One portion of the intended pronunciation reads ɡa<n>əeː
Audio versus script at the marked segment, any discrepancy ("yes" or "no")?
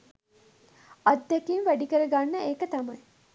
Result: yes